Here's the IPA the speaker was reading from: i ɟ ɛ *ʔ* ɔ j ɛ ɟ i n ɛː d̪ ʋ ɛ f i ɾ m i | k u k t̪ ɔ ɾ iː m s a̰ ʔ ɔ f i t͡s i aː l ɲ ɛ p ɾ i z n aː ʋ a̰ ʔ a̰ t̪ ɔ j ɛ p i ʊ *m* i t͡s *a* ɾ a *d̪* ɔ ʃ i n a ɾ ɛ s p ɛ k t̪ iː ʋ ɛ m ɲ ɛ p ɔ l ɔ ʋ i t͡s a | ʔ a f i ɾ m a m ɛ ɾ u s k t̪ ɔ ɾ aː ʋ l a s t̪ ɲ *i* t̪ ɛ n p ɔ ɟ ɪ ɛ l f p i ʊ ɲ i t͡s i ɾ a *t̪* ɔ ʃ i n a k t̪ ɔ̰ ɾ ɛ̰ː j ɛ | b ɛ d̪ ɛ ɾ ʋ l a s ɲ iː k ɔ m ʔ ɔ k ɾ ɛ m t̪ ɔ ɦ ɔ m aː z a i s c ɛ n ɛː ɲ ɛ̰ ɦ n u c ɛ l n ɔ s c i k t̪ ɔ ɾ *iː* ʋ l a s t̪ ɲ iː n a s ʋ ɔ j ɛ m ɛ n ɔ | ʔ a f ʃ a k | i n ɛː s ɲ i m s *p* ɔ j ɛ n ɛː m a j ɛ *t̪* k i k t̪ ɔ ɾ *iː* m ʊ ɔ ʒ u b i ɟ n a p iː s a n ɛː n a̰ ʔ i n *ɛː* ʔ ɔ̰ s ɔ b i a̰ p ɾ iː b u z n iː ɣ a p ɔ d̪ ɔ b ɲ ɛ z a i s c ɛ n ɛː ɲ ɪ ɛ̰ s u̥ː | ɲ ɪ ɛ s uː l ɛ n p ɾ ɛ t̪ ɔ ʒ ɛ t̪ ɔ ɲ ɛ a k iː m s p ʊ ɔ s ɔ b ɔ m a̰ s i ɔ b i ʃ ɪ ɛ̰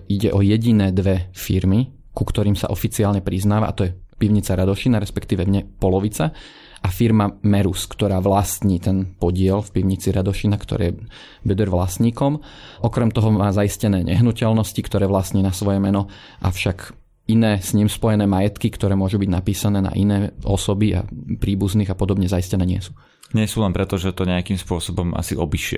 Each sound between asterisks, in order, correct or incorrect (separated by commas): correct, incorrect, correct, correct, incorrect, incorrect, incorrect, correct, correct, incorrect, correct